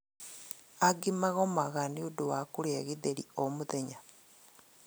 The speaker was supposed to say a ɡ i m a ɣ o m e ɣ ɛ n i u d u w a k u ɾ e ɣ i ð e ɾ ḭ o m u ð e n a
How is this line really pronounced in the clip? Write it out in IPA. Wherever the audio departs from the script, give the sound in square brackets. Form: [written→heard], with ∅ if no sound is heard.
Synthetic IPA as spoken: a ɡ i m a ɣ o m [e→a] ɣ [ɛ→a] n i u d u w a k u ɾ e ɣ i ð e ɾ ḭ o m u ð e [n→ɲ] a